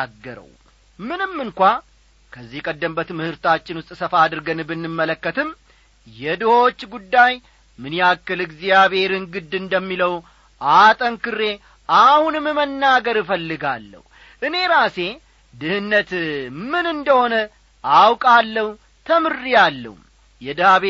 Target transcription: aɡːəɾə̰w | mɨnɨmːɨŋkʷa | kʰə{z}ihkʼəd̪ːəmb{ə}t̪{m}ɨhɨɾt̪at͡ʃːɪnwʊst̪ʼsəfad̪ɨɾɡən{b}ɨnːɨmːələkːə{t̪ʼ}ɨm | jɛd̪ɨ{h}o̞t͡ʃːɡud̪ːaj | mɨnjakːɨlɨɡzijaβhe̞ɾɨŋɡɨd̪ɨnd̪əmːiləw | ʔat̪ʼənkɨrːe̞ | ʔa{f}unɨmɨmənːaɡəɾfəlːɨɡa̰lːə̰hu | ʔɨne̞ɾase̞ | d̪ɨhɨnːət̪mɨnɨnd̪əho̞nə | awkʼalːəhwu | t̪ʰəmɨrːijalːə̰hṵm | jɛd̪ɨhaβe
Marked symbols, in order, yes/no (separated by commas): no, yes, yes, yes, no, yes, no